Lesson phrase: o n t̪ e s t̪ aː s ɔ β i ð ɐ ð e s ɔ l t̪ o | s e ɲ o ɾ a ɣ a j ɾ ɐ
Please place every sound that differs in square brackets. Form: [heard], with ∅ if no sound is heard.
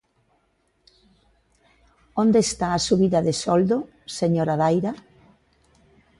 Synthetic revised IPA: o n [d̪] e s t̪ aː s [u] β i ð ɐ ð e s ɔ l [d̪] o | s e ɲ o ɾ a [ð] a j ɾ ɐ